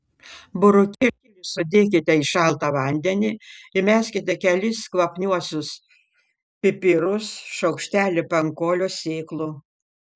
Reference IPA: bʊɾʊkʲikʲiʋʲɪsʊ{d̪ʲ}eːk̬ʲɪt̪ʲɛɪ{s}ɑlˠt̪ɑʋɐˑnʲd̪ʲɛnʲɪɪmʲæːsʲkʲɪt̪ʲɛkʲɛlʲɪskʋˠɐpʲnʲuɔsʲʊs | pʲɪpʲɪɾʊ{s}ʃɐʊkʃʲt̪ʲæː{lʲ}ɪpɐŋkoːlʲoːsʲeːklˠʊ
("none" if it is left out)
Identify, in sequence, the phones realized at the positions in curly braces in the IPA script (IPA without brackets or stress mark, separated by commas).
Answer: d̪ʲ, ʃ, s, lʲ